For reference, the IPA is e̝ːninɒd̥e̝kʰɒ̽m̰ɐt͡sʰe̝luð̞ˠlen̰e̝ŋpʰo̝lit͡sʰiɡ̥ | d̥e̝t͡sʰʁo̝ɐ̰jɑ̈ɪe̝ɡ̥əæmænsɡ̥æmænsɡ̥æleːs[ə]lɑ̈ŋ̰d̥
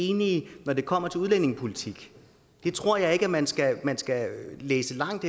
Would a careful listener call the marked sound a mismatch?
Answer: no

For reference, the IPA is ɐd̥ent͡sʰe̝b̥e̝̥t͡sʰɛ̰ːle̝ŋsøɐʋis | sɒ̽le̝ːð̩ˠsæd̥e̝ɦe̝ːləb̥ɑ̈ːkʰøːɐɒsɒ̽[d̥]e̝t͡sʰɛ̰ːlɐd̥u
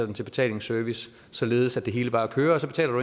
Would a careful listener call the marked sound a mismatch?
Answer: yes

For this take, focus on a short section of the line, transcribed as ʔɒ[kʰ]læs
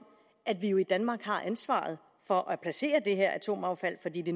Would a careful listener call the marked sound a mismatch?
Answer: yes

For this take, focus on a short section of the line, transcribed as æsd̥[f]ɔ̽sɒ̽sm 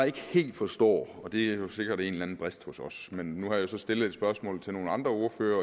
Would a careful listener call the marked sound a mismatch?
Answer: yes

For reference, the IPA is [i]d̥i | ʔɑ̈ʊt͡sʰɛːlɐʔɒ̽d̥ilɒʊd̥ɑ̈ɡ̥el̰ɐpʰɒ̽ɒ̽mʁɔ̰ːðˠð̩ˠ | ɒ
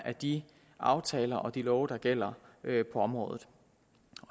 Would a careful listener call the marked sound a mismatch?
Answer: yes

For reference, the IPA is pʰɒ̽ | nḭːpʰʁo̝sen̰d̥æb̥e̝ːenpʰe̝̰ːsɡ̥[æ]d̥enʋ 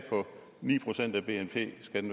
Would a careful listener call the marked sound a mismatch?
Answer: no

